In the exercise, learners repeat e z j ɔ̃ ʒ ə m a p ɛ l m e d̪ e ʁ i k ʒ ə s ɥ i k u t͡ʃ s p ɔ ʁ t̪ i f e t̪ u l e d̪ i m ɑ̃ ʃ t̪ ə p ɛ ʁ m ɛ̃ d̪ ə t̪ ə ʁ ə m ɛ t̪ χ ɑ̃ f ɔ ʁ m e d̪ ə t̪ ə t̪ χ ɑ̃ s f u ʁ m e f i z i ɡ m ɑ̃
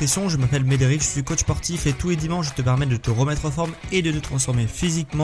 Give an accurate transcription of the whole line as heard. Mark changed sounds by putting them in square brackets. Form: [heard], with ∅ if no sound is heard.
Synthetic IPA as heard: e [s] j ɔ̃ ʒ ə m a p ɛ l m e d̪ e ʁ i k ʒ ə s ɥ i k [o] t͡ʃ s p ɔ ʁ t̪ i f e t̪ u l e d̪ i m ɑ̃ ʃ t̪ ə p ɛ ʁ m [ɛ] d̪ ə t̪ ə ʁ ə m ɛ t̪ χ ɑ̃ f ɔ ʁ m e d̪ ə t̪ ə t̪ χ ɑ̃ s f [ɔ] ʁ m e f i z i [k] m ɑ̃